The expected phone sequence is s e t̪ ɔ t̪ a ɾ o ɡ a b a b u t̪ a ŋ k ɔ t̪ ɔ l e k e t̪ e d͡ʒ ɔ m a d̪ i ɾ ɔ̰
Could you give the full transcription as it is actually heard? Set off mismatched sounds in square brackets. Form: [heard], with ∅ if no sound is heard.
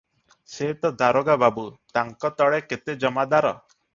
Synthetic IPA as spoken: s e t̪ ɔ [d̪] a ɾ o ɡ a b a b u t̪ a ŋ k ɔ t̪ ɔ [ɭ] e k e t̪ e d͡ʒ ɔ m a d̪ [a] ɾ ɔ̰